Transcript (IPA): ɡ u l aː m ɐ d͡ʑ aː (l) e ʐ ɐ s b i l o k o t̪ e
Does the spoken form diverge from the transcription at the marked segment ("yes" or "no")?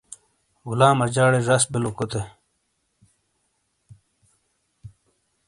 yes